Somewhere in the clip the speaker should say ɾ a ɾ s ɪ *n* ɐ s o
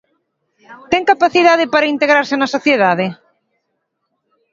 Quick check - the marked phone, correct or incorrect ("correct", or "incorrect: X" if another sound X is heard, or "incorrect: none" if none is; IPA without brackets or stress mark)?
correct